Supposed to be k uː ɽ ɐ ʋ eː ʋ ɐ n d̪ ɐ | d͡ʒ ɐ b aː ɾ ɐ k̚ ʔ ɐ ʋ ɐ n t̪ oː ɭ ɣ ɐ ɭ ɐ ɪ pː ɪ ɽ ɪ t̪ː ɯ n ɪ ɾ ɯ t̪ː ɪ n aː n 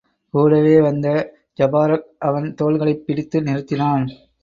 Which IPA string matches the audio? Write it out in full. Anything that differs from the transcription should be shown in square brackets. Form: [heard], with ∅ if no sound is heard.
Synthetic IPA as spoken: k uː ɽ ɐ ʋ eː ʋ ɐ n d̪ ɐ | d͡ʒ ɐ b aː ɾ ɐ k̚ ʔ ɐ ʋ ɐ n t̪ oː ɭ ɣ ɐ ɭ ɐ ɪ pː ɪ ɽ ɪ t̪ː ɯ n ɪ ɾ ɯ t̪ː ɪ n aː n